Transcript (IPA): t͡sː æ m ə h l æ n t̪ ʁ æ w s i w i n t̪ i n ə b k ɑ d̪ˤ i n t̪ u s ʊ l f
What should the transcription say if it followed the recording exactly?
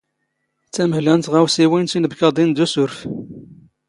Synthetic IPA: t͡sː æ m ə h l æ n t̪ ʁ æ w s i w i n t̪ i n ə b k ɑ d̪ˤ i n d̪ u s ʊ ɾ f